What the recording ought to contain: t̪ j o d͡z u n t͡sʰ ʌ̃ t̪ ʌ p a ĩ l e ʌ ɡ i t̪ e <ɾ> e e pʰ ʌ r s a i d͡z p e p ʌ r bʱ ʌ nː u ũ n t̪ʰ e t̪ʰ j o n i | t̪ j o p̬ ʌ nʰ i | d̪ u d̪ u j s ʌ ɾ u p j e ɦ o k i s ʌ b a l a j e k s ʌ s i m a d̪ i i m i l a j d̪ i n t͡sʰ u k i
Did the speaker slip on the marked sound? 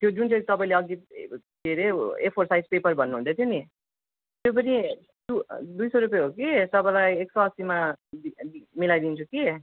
no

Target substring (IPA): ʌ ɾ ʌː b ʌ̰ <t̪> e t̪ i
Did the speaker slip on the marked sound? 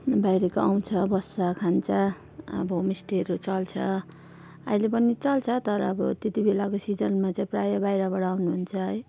no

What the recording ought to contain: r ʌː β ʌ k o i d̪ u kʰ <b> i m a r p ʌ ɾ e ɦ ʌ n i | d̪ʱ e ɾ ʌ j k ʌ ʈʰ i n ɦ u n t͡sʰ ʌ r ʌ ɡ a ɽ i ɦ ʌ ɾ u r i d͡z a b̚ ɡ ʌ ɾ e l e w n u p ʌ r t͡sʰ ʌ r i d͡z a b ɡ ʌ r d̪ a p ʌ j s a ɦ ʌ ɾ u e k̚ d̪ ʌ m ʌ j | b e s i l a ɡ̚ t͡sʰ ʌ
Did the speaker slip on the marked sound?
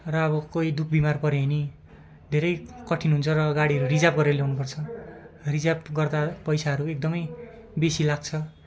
no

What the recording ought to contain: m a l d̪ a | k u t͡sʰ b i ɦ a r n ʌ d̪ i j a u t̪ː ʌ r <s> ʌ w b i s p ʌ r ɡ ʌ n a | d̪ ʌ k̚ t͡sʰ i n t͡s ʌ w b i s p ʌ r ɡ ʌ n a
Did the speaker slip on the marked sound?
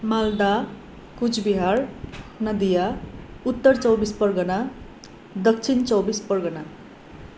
yes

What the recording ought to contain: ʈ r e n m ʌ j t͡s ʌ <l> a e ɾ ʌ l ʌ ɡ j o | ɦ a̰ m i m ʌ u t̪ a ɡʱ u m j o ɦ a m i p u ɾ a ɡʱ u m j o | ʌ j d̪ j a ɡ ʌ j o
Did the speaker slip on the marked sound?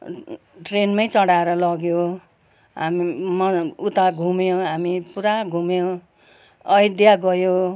yes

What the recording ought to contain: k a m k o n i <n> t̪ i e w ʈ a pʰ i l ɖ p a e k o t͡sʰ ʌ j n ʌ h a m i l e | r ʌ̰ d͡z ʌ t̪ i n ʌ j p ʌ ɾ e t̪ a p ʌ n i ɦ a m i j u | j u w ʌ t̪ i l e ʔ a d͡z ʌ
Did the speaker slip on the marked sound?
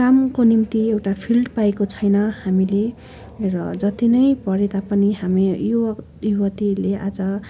yes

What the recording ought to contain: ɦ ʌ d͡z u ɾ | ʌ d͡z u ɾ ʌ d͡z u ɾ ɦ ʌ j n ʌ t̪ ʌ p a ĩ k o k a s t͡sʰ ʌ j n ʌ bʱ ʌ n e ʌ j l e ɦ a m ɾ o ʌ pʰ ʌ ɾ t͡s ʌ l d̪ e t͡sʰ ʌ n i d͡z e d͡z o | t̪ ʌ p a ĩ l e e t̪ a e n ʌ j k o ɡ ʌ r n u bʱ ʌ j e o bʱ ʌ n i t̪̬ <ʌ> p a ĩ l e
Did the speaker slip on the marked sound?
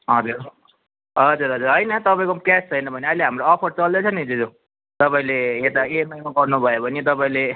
no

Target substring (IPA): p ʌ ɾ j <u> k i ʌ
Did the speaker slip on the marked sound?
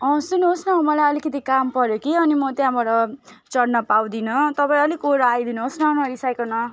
yes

